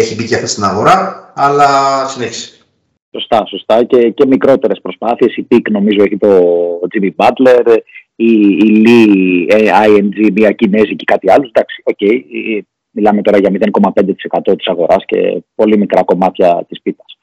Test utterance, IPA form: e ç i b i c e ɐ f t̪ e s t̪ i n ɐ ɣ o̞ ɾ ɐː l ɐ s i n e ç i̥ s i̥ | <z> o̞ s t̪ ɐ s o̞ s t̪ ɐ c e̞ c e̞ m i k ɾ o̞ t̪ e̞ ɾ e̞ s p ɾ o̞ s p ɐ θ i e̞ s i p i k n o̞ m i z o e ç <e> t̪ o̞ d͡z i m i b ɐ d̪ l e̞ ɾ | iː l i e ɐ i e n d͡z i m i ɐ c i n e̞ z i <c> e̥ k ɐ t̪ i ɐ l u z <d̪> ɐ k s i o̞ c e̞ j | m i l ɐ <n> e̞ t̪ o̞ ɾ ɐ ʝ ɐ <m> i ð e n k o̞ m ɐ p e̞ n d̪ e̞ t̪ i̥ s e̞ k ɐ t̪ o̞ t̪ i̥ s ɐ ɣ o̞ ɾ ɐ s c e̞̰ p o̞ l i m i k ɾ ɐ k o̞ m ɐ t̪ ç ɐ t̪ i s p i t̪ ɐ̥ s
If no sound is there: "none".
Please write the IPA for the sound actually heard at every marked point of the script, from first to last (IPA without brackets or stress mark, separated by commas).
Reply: s, i, c, d̪, m, m